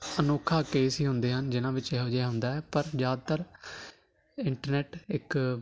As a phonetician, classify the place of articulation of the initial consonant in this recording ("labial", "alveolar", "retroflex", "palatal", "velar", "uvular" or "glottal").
alveolar